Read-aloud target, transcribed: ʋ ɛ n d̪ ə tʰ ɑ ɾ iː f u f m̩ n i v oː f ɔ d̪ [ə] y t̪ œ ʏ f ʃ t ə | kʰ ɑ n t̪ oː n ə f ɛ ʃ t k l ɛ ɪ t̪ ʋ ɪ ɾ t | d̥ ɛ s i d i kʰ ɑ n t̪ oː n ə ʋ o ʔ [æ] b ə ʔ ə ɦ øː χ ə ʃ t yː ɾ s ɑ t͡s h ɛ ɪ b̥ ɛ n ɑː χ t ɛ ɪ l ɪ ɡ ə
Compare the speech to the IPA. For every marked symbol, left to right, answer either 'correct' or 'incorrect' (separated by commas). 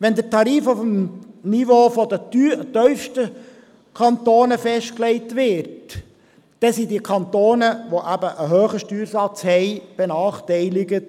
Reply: correct, correct